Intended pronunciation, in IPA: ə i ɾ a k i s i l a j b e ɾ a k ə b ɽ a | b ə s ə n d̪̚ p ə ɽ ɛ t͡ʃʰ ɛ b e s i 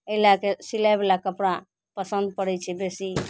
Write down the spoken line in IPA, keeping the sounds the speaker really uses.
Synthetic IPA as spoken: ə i l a k e s i l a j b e l a k ə p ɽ a | p ə s ə n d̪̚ p ə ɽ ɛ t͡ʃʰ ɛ b e s i